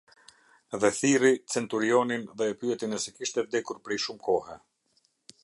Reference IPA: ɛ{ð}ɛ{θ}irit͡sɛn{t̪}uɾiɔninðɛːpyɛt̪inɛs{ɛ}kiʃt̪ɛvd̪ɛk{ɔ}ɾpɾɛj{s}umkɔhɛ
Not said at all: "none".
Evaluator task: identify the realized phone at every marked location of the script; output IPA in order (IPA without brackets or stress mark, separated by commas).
ð, θ, t̪, ɛ, u, ʃ